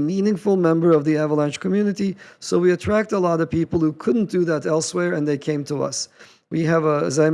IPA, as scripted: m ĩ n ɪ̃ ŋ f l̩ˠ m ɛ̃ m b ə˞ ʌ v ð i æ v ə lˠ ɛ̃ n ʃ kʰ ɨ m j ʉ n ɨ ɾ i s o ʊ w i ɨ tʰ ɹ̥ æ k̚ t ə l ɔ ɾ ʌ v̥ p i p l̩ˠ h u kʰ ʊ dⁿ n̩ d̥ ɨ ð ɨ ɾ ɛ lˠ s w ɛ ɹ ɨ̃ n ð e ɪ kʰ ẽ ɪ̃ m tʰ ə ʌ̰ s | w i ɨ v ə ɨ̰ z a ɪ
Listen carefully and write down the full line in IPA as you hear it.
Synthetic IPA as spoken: m ĩ n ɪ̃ ŋ f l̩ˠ m ɛ̃ m b ə˞ ʌ v ð i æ v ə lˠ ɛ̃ n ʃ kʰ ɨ m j ʉ n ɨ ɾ i s o ʊ w i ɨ tʰ ɹ̥ æ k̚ t ə l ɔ ɾ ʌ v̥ p i p l̩ˠ h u kʰ ʊ dⁿ n̩ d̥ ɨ ð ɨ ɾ ɛ lˠ s w ɛ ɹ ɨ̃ n ð e ɪ kʰ ẽ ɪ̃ m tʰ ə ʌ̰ s | w i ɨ v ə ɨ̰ z a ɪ